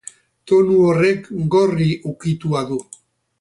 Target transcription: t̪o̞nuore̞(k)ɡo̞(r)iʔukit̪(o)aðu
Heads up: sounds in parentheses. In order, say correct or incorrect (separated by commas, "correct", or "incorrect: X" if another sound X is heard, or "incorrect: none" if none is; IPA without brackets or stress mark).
correct, correct, incorrect: u